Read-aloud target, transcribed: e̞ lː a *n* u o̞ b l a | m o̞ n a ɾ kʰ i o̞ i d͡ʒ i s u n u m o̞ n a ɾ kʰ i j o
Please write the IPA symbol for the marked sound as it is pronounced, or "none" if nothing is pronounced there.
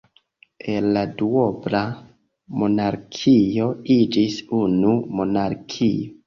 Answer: d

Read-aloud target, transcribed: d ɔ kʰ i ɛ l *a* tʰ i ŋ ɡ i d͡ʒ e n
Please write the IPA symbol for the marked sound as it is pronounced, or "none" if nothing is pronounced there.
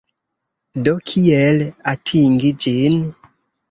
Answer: a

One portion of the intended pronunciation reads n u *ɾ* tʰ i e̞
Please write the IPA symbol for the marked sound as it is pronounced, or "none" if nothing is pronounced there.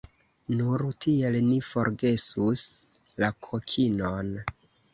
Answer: ɾ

